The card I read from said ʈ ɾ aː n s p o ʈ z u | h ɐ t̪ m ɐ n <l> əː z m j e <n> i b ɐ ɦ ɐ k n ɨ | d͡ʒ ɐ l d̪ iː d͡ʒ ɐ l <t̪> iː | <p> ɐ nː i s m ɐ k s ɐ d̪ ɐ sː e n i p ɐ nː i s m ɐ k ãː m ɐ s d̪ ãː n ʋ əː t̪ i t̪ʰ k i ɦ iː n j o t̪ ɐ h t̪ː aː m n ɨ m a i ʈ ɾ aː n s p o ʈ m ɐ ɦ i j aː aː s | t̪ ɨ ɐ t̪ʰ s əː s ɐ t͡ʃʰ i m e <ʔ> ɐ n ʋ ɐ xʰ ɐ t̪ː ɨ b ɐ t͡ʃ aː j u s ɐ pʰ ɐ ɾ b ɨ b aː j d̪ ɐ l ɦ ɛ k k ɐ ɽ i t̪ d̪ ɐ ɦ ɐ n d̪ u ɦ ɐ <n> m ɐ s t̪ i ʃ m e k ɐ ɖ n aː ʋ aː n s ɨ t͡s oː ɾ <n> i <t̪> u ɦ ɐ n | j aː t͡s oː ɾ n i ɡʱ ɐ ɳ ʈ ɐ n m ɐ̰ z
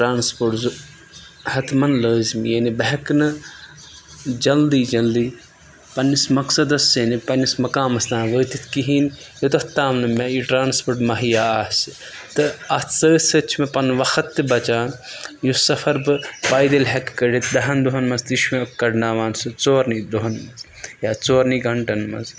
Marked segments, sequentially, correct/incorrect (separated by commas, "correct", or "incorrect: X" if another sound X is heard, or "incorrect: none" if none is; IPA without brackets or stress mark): correct, correct, incorrect: d̪, correct, incorrect: p, correct, correct, incorrect: d̪